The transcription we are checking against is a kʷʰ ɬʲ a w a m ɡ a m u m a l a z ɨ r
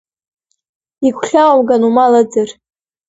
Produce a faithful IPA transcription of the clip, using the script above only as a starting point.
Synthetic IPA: i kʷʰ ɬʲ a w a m ɡ a n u m a l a d͡z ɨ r